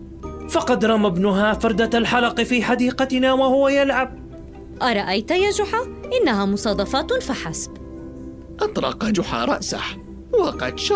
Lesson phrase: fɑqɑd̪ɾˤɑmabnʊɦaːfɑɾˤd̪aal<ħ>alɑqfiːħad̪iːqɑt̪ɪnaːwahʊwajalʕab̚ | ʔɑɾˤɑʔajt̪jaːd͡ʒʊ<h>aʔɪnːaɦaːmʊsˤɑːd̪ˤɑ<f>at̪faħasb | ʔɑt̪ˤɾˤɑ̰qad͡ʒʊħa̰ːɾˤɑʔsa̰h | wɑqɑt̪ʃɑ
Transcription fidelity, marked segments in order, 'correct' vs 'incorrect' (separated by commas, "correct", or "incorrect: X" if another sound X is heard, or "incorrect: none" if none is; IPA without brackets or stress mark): correct, incorrect: ħ, correct